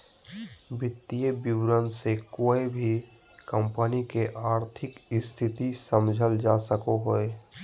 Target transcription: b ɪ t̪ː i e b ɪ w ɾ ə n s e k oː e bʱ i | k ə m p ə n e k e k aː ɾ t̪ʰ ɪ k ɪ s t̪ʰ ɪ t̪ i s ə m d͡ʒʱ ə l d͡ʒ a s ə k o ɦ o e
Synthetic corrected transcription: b ɪ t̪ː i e b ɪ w ɾ ə n s e k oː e bʱ i | k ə m p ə n i k e ʔ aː ɾ t̪ʰ ɪ k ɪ s t̪ʰ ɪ t̪ i s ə m d͡ʒʱ ə l d͡ʒ a s ə k o ɦ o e